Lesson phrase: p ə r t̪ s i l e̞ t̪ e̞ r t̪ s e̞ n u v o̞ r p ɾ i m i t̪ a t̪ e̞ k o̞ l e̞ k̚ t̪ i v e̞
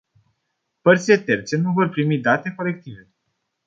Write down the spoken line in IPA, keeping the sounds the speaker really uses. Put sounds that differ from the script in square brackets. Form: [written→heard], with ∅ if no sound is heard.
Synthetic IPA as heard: p ə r t̪ s i l e̞ t̪ e̞ r t̪ s e̞ n u v o̞ r p ɾ i m i [t̪→d̪] a t̪ e̞ k o̞ l e̞ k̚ t̪ i v e̞